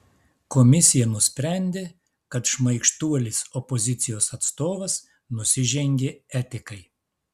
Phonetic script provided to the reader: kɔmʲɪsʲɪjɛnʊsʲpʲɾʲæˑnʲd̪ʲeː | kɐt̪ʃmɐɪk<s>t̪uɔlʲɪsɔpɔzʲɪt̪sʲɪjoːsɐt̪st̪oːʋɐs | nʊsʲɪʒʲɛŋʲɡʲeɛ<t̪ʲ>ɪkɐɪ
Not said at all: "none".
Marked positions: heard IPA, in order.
ʃ, t̪ʲ

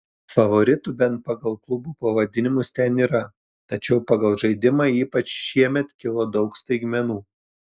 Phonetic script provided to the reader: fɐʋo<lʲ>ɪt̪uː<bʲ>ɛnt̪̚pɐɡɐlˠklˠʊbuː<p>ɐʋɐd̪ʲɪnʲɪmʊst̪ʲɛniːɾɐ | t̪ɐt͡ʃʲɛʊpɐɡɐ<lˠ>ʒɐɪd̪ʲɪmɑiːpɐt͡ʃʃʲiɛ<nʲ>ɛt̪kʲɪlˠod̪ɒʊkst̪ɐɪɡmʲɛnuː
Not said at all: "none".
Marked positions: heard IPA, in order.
ɾʲ, bʲ, p, lˠ, mʲ

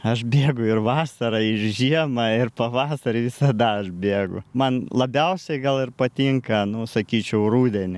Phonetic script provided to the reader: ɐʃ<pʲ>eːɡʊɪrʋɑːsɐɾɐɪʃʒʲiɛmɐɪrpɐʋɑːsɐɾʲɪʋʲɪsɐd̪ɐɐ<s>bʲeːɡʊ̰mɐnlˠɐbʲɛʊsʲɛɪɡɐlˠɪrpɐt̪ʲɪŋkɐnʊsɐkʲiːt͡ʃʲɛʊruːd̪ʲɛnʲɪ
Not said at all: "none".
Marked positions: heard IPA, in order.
bʲ, ʃ

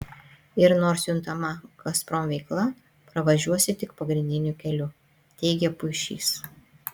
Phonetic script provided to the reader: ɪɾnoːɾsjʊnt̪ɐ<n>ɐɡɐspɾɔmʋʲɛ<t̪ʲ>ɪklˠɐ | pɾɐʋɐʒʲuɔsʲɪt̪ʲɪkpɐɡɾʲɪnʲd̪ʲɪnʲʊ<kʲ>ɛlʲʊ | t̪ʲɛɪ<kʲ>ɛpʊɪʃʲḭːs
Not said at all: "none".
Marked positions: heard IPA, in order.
m, none, kʲ, ɡʲ

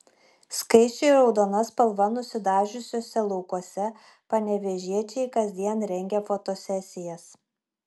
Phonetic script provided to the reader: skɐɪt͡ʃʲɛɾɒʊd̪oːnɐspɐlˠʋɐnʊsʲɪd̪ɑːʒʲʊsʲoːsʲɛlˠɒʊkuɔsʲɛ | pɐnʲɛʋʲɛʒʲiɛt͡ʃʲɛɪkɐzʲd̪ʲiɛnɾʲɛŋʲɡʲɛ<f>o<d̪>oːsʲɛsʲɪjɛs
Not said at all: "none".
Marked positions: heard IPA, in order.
f, t̪

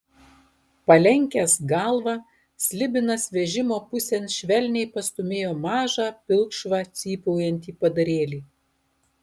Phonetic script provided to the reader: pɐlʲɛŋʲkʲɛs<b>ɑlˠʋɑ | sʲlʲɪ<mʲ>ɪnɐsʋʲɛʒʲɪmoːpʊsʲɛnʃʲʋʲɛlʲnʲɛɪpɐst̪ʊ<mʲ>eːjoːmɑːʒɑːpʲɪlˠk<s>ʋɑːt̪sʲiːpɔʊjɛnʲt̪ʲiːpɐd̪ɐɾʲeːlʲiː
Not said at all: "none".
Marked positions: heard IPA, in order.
ɡ, bʲ, mʲ, ʃ

